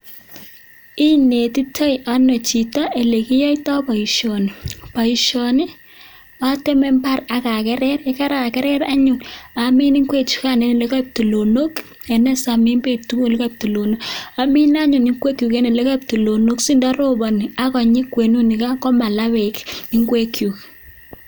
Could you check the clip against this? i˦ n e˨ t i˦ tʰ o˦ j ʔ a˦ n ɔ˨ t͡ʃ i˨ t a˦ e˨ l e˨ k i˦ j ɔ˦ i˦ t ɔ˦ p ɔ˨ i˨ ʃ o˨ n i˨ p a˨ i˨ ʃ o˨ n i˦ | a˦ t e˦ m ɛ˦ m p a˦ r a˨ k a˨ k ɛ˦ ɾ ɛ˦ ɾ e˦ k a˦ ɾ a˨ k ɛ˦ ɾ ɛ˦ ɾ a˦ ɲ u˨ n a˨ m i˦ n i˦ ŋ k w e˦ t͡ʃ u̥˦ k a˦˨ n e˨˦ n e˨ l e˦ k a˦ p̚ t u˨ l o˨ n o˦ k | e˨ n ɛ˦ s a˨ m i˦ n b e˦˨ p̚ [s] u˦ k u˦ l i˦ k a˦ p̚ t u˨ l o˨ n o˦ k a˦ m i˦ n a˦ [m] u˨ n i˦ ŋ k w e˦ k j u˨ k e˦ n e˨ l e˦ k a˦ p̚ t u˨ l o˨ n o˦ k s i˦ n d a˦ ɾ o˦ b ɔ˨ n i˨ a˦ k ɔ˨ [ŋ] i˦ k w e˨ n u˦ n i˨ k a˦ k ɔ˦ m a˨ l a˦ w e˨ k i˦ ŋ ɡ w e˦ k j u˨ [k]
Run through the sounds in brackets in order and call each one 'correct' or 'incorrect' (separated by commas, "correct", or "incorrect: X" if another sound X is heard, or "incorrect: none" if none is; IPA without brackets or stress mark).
incorrect: t, incorrect: ɲ, incorrect: ɲ, correct